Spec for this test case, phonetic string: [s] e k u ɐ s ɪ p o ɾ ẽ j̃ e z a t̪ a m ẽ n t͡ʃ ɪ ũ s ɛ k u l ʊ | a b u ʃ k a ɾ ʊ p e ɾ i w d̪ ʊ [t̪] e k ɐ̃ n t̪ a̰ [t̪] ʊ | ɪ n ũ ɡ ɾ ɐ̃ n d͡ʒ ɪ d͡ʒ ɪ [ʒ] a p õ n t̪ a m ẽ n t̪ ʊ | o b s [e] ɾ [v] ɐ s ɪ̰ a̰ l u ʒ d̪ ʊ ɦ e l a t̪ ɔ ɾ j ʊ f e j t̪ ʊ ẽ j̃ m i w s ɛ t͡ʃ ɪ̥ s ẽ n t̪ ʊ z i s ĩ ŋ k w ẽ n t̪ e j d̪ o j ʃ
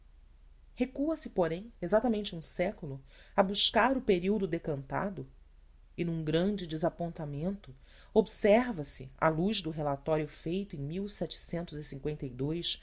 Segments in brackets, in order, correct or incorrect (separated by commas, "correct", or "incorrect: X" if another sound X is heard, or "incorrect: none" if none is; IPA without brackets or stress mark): incorrect: h, incorrect: d̪, incorrect: d̪, incorrect: z, incorrect: ɛ, correct